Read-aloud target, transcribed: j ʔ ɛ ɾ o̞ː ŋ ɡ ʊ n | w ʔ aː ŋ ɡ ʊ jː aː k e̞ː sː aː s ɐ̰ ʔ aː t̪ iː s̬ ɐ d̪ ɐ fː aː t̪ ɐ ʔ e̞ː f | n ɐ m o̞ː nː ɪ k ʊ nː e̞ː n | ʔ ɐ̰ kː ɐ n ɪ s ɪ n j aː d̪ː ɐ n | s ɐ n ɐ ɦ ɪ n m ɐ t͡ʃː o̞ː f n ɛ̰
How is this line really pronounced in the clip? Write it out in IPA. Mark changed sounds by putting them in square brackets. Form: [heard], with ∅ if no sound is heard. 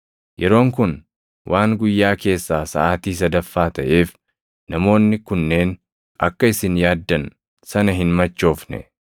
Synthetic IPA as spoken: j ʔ ɛ ɾ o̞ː ŋ [k] ʊ n | w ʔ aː ŋ ɡ ʊ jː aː k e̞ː sː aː s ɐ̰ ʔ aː t̪ iː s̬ ɐ d̪ ɐ fː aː t̪ ɐ ʔ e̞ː f | n ɐ m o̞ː nː ɪ k ʊ nː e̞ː n | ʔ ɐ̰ kː ɐ [∅] ɪ s ɪ n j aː d̪ː ɐ n | s ɐ n ɐ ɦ ɪ n m ɐ t͡ʃː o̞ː f n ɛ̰